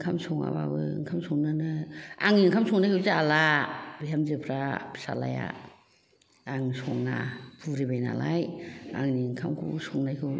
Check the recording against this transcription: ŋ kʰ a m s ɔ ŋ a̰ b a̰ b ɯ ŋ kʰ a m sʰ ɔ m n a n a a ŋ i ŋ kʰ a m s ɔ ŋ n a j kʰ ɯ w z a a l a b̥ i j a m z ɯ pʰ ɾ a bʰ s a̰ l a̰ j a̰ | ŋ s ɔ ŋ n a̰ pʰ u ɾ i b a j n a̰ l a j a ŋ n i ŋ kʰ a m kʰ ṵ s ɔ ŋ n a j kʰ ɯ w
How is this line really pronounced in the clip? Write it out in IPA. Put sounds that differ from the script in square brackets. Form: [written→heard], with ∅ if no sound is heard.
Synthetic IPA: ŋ kʰ a m s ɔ ŋ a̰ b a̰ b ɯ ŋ kʰ a m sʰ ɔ [m→ŋ] n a n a a ŋ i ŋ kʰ a m s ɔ ŋ n a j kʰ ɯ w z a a l a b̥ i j a m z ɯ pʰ ɾ a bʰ s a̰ l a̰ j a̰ | ŋ s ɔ ŋ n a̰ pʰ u ɾ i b a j n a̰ l a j a ŋ n i ŋ kʰ a m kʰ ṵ s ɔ ŋ n a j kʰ ɯ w